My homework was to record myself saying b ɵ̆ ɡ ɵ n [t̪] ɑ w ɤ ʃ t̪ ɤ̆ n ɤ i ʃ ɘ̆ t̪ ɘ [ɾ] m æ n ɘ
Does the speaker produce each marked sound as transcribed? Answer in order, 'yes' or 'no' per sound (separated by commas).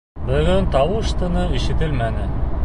yes, no